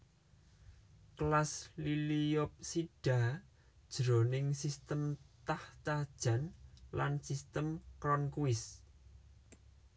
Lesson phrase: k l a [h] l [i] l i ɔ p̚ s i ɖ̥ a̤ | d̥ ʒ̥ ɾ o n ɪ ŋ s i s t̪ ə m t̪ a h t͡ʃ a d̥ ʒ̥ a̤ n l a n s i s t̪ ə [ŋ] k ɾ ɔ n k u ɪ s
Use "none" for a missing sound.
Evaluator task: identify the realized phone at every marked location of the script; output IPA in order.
s, i, m

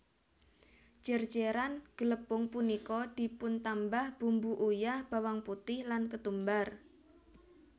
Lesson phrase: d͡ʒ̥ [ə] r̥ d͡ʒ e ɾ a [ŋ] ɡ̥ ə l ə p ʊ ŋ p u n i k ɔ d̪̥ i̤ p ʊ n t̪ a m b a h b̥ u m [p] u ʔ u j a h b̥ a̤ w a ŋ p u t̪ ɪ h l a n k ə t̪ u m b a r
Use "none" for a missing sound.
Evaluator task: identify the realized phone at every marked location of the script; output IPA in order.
ə, n, b

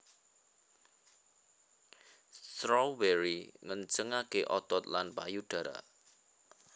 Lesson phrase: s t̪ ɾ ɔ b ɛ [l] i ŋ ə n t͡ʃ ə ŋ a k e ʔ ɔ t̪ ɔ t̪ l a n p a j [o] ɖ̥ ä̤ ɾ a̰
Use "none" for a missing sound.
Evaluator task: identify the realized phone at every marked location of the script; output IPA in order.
ɾ, u

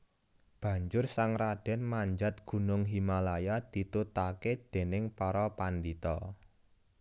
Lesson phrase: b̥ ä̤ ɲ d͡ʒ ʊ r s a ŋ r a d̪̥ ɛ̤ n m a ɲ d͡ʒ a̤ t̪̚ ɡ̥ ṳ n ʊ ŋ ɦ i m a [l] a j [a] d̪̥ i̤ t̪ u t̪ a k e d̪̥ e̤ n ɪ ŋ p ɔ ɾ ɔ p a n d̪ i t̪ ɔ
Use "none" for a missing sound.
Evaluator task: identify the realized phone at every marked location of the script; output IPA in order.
l, a

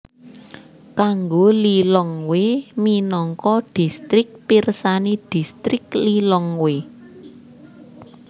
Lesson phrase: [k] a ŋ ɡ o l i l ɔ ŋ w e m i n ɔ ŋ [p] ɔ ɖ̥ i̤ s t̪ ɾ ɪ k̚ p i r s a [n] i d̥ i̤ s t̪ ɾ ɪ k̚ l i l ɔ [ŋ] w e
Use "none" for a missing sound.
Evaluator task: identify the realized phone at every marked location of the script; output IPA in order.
k, k, n, ŋ

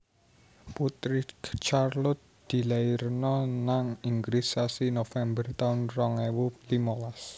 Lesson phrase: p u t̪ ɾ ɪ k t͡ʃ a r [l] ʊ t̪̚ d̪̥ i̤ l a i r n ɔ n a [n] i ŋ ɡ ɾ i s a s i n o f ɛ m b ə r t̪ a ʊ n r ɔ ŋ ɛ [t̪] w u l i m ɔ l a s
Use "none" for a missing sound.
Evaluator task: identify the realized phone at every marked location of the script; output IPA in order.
l, ŋ, none

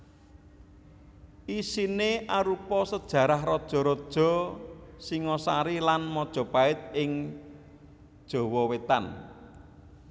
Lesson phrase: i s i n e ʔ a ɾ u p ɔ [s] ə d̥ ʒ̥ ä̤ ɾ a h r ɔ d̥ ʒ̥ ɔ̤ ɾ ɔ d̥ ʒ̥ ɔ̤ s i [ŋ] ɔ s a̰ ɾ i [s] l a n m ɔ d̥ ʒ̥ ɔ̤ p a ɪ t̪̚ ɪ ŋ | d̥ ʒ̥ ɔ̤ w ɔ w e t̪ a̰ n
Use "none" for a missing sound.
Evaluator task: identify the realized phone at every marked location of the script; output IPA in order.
s, ŋ, none

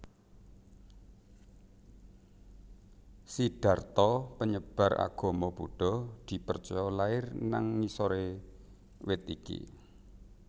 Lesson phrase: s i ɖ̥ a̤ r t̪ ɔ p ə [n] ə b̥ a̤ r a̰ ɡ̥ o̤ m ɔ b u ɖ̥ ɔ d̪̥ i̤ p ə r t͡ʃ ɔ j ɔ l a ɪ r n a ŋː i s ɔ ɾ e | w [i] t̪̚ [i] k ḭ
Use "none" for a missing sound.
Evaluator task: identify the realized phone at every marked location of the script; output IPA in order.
ɲ, ɪ, i

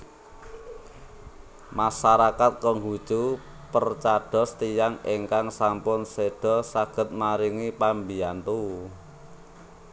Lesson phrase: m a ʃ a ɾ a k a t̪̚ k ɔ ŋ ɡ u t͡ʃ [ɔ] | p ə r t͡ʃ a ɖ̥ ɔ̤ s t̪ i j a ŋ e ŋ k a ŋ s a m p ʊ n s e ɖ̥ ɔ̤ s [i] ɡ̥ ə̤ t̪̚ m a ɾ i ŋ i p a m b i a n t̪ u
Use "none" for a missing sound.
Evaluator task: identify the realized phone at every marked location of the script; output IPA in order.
u, a

